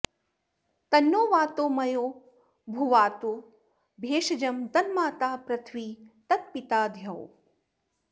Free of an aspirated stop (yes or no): no